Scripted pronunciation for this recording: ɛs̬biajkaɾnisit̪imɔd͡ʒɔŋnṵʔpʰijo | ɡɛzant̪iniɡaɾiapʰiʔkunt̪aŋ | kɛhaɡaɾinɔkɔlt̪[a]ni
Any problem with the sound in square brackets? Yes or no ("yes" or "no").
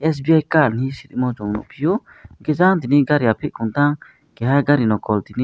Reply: yes